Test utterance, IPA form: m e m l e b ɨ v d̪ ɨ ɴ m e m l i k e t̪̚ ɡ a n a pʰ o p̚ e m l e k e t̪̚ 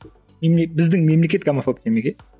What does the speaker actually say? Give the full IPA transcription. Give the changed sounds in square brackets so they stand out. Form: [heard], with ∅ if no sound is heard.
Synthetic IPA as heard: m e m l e b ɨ [z] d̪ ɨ [ŋ] m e m l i k e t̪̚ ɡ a [m] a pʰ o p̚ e m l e k e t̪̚